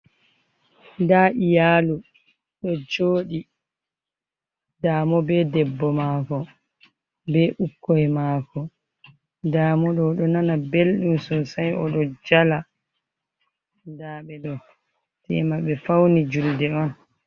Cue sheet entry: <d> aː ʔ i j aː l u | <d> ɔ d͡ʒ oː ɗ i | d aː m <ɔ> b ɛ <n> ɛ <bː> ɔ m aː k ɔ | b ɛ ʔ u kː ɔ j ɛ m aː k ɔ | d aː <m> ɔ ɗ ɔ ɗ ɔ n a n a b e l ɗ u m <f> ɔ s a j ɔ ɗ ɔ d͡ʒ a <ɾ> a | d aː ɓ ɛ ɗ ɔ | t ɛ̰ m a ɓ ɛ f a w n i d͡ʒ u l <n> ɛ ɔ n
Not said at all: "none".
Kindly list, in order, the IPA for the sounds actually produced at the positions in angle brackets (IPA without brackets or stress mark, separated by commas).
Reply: d, ɗ, ɔ, d, bː, m, s, l, d